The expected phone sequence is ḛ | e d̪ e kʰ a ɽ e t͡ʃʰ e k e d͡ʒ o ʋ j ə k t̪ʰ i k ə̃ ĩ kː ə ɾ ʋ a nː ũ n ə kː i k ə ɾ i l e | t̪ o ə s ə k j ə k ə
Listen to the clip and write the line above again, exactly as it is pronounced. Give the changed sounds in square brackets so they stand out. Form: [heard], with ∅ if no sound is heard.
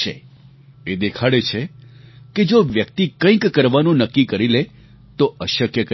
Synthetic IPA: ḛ | e d̪ e kʰ a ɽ e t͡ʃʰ e k e d͡ʒ o ʋ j ə k [t̪] i k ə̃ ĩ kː ə ɾ ʋ a [n] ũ n ə kː i k ə ɾ i l e | t̪ o ə [ʃ] ə k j ə k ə